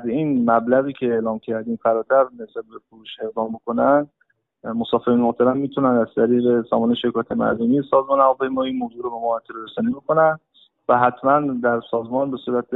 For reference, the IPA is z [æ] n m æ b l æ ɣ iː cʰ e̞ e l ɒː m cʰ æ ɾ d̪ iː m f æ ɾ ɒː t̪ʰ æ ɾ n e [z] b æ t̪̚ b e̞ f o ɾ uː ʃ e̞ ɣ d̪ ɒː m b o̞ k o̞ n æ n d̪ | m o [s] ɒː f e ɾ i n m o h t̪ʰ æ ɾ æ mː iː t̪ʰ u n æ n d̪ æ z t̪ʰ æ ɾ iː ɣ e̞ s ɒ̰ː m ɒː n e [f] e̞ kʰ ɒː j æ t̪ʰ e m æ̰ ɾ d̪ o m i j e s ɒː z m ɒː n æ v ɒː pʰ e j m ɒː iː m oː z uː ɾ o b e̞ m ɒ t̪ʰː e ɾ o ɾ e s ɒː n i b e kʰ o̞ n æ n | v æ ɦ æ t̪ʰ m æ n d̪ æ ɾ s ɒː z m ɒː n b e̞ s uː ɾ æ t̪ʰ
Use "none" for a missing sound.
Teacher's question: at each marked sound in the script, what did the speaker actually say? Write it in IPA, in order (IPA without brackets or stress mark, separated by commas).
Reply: i, s, s, ʃ